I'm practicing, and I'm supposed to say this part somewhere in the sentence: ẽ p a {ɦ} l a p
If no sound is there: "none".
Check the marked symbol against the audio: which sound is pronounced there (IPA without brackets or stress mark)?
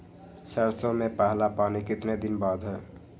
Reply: ɦ